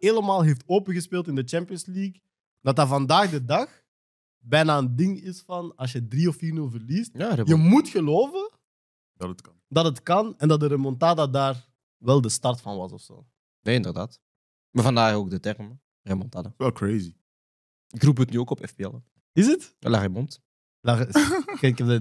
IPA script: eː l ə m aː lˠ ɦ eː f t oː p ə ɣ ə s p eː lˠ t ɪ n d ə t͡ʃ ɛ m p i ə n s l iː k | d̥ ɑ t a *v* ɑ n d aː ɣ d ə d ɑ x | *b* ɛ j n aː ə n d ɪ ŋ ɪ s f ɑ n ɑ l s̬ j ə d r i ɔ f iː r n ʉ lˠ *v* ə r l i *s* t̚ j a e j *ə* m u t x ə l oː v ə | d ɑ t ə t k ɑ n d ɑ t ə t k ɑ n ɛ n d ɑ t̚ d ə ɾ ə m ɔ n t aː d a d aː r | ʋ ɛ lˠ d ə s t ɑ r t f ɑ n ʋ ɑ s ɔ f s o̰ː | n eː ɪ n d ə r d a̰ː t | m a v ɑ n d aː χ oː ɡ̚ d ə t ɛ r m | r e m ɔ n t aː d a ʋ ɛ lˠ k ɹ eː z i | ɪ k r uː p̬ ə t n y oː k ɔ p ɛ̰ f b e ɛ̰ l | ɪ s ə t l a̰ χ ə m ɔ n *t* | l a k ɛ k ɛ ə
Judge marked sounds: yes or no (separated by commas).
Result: yes, yes, yes, yes, yes, yes